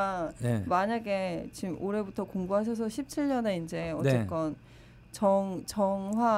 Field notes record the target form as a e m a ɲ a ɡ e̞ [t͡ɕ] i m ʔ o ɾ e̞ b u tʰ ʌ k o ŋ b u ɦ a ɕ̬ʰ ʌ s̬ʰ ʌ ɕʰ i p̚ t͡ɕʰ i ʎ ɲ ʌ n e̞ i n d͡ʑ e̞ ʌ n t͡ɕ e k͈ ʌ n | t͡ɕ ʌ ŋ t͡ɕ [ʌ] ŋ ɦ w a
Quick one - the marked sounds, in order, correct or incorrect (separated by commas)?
correct, correct